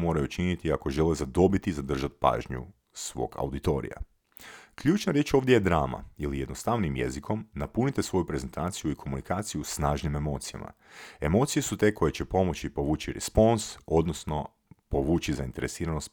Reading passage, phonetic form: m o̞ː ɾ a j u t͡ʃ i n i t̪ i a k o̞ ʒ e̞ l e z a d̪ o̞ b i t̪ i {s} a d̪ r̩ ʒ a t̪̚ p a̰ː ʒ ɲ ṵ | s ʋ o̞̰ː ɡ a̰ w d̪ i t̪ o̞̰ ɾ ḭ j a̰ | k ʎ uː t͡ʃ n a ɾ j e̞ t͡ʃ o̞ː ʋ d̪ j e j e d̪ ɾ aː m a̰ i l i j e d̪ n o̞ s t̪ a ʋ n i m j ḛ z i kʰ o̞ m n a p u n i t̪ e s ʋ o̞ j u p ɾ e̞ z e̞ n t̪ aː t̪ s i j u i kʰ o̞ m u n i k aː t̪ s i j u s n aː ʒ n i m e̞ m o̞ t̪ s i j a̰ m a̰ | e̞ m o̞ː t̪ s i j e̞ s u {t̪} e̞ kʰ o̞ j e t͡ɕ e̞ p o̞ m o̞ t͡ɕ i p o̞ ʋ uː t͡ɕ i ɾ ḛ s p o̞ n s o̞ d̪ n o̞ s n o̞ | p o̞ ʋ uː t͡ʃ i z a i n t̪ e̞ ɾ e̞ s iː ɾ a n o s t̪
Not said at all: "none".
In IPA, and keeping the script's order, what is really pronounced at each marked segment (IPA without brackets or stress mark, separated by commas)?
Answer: z, t̪